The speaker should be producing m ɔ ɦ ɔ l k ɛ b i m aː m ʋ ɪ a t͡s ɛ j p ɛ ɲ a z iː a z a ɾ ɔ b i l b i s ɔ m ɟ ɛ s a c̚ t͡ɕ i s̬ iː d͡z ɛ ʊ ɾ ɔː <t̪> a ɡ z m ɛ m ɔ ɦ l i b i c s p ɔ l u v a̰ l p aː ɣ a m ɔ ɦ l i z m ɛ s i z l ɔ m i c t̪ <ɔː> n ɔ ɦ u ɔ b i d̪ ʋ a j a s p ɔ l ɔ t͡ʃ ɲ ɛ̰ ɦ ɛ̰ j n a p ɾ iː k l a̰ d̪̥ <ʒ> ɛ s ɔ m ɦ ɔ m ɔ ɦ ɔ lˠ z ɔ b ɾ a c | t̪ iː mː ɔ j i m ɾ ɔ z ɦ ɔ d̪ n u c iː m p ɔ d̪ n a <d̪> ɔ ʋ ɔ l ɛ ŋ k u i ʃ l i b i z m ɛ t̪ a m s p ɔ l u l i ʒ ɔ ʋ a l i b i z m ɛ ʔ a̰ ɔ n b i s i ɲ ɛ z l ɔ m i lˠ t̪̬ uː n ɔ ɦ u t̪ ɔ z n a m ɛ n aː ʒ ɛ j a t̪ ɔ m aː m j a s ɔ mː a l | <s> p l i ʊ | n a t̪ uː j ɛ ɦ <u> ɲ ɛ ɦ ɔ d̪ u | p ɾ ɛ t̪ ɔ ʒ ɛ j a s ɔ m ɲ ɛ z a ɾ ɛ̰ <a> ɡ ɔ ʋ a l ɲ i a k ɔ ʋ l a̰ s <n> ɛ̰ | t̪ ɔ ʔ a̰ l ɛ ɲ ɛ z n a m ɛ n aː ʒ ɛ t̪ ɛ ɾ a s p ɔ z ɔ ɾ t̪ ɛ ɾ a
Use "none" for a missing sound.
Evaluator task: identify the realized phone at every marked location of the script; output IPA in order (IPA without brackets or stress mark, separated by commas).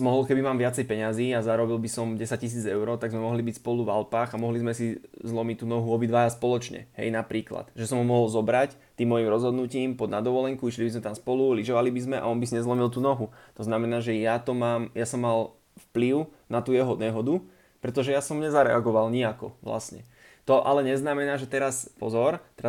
t̪, uː, ʒ, d̪, f, ɔ, a, ɲ